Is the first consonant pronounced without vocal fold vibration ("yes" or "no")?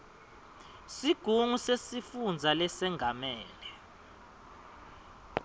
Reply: yes